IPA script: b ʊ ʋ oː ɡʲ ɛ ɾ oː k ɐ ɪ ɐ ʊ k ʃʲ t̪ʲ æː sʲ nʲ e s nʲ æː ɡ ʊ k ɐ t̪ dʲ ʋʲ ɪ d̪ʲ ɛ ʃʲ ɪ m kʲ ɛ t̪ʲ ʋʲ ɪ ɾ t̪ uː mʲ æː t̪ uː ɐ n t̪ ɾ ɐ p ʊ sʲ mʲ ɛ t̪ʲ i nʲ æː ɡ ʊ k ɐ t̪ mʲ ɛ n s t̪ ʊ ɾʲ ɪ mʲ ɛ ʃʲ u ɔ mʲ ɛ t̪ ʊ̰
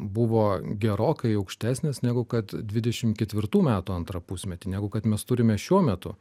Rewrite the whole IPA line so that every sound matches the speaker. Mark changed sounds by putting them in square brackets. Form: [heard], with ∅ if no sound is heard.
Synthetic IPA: b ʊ ʋ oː ɡʲ ɛ ɾ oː k ɐ ɪ ɐ ʊ k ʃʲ t̪ʲ æː sʲ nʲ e s nʲ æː ɡ ʊ k ɐ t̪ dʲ ʋʲ ɪ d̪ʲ ɛ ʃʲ ɪ m kʲ ɛ t̪ʲ ʋʲ ɪ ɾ t̪ uː mʲ æː t̪ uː ɐ n t̪ ɾ ɐ p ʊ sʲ mʲ ɛ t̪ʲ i nʲ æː ɡ ʊ k ɐ t̪ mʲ ɛ [∅] s t̪ ʊ ɾʲ ɪ mʲ ɛ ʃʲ u ɔ mʲ ɛ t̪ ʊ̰